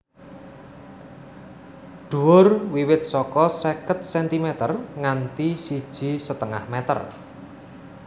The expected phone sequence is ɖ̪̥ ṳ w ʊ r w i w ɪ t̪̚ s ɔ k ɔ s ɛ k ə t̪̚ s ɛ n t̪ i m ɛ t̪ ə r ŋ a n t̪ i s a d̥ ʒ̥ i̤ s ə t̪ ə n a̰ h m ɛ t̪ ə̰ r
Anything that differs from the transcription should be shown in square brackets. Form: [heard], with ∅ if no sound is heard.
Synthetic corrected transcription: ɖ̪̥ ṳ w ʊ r w i w ɪ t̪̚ s ɔ k ɔ s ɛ k ə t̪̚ s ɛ n t̪ i m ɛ t̪ ə r ŋ a n t̪ i s [i] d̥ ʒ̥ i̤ s ə t̪ ə [ŋ] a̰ h m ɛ t̪ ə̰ r